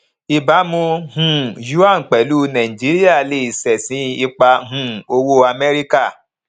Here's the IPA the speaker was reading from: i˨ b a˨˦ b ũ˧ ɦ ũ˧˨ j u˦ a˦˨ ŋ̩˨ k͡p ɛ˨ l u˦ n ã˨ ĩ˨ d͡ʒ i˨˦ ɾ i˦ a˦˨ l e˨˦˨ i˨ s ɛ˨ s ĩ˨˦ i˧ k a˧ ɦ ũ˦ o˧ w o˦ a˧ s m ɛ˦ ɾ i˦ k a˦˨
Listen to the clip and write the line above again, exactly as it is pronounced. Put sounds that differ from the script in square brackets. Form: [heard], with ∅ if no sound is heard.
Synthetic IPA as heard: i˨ b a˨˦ [m] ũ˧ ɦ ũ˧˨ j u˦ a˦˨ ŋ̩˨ k͡p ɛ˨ l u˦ n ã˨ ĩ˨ d͡ʒ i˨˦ ɾ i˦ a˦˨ l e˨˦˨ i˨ s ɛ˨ s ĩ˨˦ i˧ [k͡p] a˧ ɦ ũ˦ o˧ w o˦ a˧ [∅] m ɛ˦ ɾ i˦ k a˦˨